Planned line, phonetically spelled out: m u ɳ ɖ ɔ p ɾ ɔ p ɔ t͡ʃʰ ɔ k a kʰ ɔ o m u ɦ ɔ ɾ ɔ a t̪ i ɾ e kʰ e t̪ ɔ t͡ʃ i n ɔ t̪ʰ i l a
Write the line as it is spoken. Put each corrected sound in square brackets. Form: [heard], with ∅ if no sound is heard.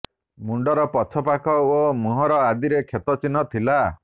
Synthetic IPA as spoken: m u ɳ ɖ ɔ [∅] ɾ ɔ p ɔ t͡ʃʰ ɔ [p] a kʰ ɔ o m u ɦ ɔ ɾ ɔ a [d̪] i ɾ e kʰ e t̪ ɔ t͡ʃ i n ɔ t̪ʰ i l a